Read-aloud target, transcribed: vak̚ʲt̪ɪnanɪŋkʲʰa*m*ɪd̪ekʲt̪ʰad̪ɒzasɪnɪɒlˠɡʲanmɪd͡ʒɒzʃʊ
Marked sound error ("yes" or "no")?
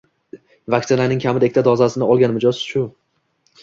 no